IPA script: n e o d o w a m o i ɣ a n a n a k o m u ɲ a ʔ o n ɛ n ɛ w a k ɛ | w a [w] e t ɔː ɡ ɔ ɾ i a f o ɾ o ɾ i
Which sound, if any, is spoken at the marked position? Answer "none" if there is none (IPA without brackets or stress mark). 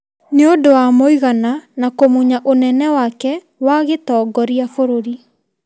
ɣ